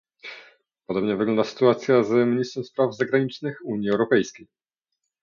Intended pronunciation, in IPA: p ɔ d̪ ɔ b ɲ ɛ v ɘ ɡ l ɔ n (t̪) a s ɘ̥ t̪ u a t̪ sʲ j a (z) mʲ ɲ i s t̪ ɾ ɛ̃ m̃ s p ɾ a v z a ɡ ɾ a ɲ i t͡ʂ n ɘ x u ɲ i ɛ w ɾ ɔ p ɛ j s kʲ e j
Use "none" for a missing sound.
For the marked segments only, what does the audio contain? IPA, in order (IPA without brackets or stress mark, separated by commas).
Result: d̪, z